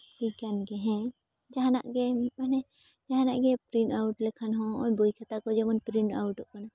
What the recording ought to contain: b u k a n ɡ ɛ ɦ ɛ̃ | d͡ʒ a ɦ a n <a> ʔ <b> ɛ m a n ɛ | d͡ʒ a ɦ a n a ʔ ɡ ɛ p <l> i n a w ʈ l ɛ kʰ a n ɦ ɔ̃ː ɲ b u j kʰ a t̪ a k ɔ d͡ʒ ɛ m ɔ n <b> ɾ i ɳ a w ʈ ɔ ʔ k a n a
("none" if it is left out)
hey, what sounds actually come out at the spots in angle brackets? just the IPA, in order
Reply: a, ɡ, ɾ, p

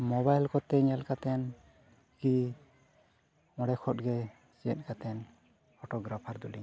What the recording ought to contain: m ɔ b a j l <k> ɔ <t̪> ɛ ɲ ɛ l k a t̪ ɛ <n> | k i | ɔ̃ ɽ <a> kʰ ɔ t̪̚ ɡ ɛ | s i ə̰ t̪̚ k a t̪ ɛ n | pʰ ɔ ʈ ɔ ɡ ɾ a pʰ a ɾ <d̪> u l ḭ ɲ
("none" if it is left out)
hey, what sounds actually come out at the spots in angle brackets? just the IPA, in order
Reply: k, t̪, n, ɛ, d̪

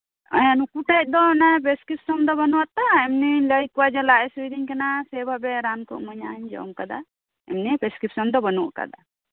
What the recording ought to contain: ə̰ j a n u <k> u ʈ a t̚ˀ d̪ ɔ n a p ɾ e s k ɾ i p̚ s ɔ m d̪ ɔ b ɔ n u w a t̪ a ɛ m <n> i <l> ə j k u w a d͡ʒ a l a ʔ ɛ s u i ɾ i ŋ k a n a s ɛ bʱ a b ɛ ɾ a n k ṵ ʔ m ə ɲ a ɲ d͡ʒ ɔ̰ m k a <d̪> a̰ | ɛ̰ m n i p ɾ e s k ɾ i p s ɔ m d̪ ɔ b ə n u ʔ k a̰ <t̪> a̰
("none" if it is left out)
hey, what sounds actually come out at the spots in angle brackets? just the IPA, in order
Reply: k, n, l, d̪, d̪

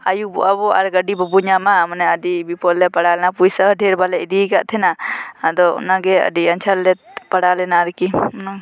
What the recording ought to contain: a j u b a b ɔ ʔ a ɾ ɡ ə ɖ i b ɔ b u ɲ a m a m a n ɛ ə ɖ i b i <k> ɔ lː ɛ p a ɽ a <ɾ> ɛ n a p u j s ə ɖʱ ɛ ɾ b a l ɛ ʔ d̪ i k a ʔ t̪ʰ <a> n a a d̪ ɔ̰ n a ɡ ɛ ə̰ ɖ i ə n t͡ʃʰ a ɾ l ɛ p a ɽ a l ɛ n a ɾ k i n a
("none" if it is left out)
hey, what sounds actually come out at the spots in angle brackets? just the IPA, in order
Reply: p, l, ɛ

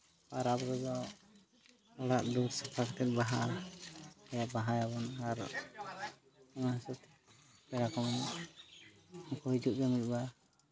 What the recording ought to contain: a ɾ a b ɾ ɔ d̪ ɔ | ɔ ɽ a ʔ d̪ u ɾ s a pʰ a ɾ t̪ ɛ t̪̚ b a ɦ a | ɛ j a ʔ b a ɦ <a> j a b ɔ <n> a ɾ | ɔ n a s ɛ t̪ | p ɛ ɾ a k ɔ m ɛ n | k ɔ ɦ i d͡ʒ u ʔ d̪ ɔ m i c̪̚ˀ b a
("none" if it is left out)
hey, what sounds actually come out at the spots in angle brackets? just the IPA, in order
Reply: a, n

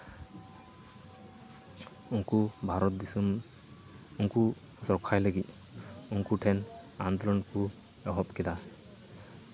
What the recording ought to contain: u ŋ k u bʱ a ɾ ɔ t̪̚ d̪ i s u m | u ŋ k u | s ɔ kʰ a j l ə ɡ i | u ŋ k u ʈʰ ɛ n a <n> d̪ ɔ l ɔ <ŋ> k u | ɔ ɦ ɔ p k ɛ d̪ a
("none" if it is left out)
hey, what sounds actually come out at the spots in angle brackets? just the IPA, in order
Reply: n, n

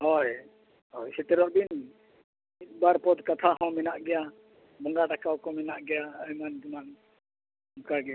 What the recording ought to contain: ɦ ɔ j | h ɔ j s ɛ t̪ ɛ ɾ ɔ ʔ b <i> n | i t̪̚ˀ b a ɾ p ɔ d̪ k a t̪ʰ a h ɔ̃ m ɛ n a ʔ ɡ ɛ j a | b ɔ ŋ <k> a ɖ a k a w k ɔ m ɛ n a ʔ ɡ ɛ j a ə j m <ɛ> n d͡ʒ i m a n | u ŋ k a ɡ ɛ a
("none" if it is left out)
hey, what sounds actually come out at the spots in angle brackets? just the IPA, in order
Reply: i, ɡ, a

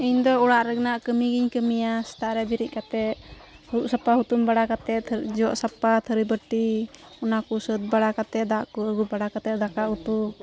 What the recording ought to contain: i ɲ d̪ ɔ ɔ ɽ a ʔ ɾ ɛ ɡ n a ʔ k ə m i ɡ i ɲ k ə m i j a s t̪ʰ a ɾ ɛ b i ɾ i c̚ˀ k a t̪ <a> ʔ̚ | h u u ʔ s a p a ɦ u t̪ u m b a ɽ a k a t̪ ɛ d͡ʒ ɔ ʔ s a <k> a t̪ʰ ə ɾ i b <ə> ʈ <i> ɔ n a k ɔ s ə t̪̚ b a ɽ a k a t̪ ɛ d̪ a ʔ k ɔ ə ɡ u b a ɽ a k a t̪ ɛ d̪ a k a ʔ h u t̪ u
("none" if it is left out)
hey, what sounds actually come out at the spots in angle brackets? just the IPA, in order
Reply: ɛ, p, ə, i

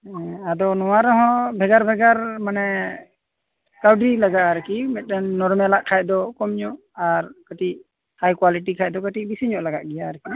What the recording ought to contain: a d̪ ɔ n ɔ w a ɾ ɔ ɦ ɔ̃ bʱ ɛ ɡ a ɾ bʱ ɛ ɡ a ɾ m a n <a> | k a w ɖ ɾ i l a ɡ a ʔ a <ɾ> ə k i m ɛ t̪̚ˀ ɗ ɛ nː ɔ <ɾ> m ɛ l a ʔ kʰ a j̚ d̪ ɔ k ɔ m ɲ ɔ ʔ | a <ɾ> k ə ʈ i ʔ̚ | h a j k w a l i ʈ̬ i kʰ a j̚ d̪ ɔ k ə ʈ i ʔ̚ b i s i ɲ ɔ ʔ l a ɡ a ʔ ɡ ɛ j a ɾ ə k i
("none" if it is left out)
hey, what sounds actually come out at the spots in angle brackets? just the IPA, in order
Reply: ɛ, ɾ, ɾ, ɾ

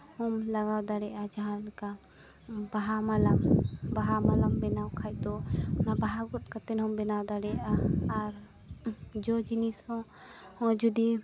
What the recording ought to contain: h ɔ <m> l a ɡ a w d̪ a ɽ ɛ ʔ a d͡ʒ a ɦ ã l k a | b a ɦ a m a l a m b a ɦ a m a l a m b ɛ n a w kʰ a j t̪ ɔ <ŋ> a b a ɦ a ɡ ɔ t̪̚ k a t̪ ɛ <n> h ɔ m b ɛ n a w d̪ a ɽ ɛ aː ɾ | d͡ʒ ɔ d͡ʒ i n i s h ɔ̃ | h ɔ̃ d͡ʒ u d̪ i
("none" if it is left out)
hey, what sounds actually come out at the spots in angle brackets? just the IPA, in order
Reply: m, n, n

